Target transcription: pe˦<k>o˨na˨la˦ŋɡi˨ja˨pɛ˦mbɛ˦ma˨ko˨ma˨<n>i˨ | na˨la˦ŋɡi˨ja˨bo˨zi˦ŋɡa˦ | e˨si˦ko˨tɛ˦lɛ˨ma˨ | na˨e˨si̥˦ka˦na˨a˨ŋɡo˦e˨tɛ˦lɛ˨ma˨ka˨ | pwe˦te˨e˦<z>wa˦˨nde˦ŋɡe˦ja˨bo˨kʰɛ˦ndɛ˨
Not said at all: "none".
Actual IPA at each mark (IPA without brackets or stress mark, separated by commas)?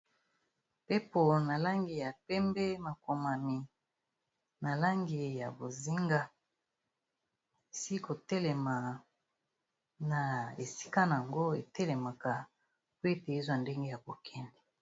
p, m, z